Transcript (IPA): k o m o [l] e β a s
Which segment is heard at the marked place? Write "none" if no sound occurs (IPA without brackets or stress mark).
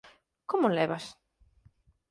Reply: l